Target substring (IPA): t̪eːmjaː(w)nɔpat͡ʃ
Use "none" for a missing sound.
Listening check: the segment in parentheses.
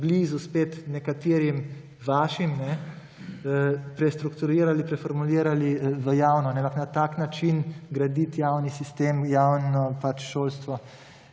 w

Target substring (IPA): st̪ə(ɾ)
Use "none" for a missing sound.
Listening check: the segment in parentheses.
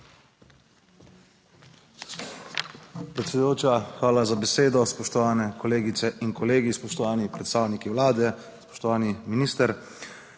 ɾ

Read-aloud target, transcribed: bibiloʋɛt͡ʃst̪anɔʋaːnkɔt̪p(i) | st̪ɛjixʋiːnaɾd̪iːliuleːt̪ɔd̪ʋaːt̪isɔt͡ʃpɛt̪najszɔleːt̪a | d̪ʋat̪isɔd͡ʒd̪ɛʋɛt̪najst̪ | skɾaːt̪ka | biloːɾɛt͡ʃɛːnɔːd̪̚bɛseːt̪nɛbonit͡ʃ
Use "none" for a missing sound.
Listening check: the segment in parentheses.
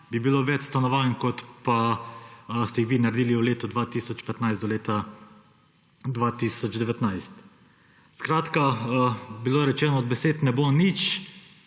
a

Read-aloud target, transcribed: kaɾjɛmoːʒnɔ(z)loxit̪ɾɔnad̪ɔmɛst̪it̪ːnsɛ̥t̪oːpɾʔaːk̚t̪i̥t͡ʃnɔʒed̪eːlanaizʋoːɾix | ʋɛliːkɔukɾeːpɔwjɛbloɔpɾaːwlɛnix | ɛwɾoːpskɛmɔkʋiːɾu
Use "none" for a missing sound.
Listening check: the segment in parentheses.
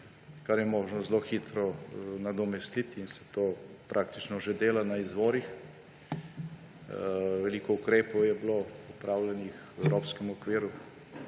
z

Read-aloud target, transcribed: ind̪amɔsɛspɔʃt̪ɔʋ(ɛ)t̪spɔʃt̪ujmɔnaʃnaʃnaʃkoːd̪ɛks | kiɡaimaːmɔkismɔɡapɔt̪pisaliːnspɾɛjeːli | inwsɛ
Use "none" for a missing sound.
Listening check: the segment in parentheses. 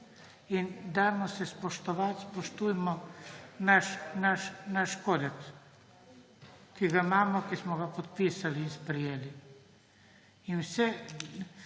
a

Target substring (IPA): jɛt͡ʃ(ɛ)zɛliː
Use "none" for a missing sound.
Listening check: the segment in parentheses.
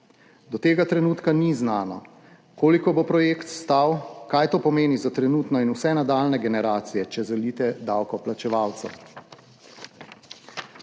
ɛ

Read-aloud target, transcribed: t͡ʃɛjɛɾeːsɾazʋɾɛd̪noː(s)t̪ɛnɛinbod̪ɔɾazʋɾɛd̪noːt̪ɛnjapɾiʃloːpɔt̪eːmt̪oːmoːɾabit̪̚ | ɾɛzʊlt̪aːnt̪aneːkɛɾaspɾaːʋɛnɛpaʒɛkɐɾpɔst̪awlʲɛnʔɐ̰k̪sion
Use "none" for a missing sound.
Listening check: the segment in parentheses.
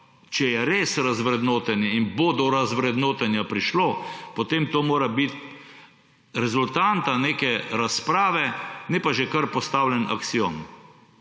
none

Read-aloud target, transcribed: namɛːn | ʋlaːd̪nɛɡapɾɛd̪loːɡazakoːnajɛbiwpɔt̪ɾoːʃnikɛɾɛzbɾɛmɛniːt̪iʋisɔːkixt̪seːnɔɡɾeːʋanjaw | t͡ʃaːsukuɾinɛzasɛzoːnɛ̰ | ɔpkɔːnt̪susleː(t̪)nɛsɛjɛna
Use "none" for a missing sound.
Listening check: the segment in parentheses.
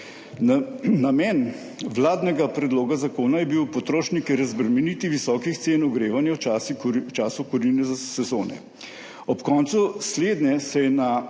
d̪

